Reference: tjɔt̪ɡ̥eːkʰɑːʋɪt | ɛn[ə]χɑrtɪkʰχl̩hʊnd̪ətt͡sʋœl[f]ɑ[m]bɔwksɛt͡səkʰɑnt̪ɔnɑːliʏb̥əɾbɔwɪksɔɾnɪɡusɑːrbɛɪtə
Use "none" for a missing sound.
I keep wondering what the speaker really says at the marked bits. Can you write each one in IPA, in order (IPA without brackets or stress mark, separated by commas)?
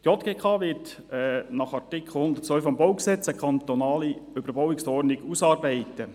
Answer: ɑ, f, m